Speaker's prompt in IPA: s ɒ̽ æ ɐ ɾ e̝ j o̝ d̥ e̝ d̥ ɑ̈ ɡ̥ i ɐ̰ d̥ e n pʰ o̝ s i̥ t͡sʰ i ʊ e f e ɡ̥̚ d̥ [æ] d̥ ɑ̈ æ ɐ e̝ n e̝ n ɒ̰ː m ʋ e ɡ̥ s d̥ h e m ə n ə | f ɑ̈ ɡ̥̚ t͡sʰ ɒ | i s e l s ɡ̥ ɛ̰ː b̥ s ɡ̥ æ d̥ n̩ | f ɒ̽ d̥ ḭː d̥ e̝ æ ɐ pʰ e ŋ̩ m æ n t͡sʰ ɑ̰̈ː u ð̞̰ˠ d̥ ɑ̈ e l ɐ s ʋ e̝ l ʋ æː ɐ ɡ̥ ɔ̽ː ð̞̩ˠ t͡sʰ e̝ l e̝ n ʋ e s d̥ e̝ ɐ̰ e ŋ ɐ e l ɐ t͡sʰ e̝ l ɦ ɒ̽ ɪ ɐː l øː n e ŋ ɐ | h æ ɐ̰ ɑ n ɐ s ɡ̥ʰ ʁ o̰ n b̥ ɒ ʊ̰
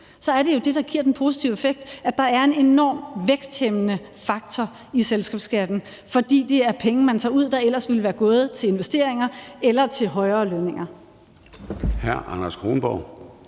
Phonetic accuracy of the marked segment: correct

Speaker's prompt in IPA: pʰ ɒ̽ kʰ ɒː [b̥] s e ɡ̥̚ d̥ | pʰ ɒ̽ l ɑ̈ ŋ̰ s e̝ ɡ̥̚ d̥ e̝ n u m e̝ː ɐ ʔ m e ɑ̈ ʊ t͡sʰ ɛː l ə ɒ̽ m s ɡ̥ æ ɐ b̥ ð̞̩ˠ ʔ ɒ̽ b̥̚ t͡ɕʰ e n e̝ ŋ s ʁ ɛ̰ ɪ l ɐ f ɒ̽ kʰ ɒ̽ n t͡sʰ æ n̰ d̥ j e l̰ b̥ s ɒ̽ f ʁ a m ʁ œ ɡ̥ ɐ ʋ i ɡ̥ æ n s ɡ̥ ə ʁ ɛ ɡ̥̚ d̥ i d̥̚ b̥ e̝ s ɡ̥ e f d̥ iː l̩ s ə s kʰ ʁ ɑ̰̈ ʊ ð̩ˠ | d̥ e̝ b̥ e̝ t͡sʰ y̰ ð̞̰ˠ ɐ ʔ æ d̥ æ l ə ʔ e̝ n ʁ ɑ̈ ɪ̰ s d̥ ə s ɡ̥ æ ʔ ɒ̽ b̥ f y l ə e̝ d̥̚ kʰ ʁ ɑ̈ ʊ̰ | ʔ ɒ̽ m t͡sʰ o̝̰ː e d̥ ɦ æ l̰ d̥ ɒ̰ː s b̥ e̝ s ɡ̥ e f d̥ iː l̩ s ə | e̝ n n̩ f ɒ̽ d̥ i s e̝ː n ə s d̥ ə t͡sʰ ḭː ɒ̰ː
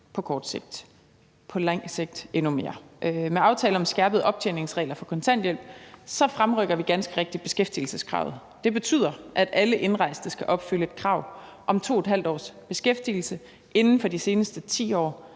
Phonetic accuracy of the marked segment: incorrect: d̥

